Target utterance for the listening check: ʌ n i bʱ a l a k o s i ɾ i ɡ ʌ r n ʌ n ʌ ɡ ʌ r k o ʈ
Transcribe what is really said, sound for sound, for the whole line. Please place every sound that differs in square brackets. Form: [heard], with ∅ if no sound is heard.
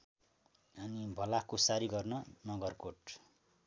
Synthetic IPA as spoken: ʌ n i bʱ [ʌ] l a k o s [a] ɾ i ɡ ʌ r n ʌ n ʌ ɡ ʌ r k o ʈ